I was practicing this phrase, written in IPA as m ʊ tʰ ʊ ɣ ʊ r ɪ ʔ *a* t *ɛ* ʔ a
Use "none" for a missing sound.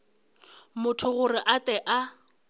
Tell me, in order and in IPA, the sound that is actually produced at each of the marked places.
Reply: a, ɛ

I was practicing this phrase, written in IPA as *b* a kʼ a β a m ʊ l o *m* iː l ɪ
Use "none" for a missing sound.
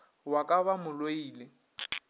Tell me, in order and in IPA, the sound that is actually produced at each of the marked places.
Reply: w, none

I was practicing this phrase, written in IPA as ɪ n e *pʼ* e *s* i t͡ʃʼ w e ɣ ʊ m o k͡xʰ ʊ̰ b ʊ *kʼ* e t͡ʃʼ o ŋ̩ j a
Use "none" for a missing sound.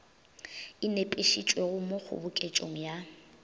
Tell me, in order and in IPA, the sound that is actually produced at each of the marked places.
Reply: pʼ, ʃ, kʼ

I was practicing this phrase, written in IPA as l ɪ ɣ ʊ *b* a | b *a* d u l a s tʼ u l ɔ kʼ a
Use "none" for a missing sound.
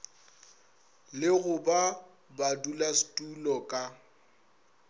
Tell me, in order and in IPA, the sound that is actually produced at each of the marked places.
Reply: b, a

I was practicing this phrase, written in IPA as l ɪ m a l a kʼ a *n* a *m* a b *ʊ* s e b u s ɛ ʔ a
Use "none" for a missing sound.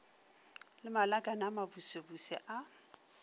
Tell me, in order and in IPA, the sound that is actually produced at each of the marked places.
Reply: n, m, u

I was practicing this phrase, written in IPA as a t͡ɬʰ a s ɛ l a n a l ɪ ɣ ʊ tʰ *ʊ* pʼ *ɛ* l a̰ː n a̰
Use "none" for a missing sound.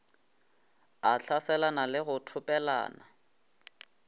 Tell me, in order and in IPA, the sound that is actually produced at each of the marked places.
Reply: ʊ, ɛ

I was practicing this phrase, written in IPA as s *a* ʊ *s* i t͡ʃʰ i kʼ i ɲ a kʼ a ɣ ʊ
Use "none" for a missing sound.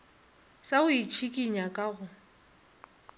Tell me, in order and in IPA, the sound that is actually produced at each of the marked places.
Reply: a, none

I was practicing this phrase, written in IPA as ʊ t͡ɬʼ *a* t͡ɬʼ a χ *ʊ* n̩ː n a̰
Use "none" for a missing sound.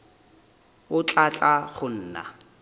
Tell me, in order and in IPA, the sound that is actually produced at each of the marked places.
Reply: a, ʊ

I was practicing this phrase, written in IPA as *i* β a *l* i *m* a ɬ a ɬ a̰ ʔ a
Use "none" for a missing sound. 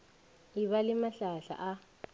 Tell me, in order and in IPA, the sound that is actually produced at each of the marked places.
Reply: i, l, m

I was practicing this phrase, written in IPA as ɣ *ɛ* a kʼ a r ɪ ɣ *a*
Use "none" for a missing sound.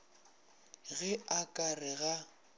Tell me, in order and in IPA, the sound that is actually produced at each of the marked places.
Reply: ɛ, a

